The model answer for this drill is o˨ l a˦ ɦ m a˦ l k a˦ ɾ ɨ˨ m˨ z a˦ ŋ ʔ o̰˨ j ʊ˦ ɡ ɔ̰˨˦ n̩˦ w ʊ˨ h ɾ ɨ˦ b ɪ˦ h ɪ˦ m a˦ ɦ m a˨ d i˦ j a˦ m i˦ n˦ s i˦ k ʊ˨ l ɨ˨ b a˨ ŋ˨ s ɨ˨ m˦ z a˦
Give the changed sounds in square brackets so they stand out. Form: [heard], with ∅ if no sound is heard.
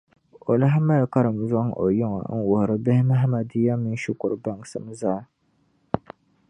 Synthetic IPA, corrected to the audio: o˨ l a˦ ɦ m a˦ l k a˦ ɾ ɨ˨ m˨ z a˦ ŋ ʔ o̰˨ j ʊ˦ [ŋ] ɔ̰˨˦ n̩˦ w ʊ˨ h ɾ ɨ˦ b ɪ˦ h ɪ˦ m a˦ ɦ m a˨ d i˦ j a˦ m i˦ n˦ [ʃ] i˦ k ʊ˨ [ɾ] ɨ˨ b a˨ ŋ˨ s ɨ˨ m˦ z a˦